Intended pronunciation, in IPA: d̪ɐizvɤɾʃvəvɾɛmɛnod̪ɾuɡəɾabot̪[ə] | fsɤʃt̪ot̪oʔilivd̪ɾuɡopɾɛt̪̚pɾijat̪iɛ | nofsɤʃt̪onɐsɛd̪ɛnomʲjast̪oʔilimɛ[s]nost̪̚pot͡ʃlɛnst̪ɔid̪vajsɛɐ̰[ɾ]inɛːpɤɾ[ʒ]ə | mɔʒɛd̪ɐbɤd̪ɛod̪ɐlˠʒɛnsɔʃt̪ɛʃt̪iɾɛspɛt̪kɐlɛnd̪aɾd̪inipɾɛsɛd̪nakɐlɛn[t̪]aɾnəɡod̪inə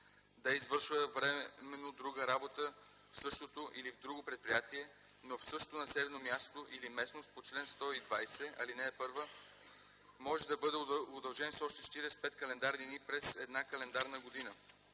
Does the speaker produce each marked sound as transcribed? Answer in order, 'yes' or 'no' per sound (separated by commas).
yes, yes, no, no, no